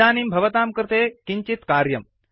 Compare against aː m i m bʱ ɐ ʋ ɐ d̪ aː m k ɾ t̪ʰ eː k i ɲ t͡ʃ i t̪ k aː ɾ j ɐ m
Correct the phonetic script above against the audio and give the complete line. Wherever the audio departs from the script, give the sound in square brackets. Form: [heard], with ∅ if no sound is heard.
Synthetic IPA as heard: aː [n] i m bʱ ɐ ʋ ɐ [t̪] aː m k ɾ [t̪] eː k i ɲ t͡ʃ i t̪ k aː ɾ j ɐ m